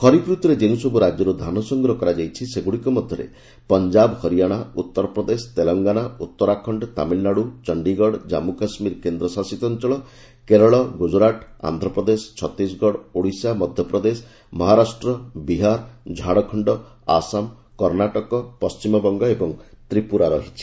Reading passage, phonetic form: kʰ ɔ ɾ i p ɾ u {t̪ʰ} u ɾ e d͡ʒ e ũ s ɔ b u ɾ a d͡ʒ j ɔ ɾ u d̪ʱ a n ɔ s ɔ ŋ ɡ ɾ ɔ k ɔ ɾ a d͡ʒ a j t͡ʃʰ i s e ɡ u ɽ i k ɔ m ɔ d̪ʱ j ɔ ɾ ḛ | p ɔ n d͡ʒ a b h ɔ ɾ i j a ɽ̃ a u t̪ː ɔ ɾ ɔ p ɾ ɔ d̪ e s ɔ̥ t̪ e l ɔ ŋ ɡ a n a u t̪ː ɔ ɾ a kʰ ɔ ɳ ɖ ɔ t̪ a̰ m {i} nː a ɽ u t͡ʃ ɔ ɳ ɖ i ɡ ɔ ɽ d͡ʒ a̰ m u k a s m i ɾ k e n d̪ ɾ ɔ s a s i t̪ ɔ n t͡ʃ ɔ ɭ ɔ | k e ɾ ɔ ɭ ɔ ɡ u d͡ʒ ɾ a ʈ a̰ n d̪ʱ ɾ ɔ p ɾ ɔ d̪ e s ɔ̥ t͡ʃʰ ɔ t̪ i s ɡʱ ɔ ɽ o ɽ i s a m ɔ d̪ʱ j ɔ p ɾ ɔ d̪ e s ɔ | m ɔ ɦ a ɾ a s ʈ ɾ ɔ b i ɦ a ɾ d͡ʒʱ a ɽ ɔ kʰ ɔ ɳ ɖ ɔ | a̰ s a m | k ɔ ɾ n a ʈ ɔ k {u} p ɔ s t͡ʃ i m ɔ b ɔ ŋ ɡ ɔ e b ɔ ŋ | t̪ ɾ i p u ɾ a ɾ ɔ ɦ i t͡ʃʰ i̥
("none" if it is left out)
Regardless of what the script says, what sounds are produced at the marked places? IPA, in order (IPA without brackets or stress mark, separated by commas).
t̪, i, ɔ